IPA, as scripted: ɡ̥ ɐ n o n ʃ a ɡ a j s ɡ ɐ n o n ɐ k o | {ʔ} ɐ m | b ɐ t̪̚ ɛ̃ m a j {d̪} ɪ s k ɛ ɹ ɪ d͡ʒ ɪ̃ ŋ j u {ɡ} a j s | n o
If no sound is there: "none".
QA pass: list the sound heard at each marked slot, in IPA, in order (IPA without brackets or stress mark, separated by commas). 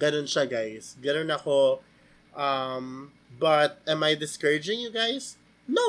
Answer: ʔ, d̪, ɡ